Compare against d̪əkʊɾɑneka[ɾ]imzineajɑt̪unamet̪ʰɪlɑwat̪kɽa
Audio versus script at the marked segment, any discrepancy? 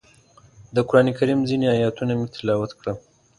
no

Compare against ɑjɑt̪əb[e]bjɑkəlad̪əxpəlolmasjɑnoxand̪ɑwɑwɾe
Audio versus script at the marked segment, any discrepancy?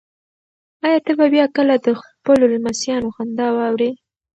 yes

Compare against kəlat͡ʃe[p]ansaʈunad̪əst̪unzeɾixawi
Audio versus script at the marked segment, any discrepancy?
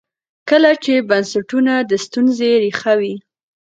yes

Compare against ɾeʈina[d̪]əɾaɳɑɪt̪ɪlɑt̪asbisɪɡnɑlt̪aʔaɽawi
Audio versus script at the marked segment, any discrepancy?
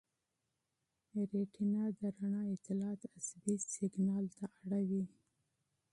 no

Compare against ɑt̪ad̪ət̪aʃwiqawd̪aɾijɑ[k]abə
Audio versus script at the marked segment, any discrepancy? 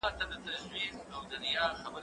yes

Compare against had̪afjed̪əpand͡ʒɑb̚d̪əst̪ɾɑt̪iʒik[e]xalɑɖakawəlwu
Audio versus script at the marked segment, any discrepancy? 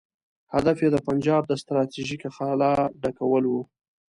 yes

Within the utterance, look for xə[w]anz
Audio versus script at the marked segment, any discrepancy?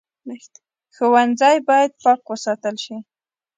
no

